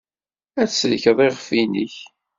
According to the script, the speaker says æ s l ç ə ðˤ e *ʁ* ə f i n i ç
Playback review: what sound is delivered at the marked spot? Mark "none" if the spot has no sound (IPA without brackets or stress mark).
ʁ